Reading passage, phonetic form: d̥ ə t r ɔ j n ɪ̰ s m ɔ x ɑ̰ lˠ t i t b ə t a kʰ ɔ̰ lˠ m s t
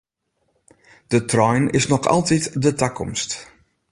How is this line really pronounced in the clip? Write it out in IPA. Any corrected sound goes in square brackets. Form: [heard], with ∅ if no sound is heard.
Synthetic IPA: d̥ ə t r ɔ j n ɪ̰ s [n] ɔ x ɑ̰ lˠ t i t [d] ə t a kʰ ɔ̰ [∅] m s t